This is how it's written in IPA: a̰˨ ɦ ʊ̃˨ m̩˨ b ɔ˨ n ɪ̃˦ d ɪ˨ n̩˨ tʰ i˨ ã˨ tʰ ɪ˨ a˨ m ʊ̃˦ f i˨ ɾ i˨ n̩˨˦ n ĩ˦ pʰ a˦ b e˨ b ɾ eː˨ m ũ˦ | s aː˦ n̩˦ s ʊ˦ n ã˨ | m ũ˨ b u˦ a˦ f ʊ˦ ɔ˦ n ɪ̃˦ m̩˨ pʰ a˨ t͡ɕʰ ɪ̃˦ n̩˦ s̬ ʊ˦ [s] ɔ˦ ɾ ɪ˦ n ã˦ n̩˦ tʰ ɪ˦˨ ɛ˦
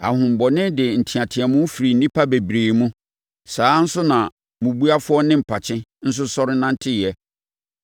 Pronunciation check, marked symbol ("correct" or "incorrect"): correct